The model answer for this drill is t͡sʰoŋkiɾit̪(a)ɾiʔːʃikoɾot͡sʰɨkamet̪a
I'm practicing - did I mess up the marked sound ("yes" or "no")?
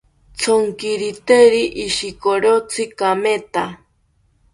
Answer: yes